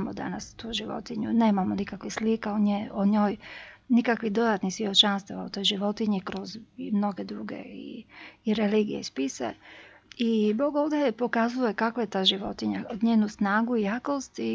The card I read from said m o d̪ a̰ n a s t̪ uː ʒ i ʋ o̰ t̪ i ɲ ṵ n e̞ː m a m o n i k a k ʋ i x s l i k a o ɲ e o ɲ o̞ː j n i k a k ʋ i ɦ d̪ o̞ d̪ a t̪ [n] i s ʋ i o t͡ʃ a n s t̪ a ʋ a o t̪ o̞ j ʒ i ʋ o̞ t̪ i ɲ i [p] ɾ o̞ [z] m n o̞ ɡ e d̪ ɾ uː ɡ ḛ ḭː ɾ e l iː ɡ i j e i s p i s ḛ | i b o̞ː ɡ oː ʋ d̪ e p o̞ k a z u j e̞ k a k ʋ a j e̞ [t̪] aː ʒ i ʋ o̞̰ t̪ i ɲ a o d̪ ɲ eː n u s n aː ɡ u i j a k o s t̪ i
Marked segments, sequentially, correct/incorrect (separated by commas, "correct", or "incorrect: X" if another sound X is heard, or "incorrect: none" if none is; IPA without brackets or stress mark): correct, incorrect: k, correct, correct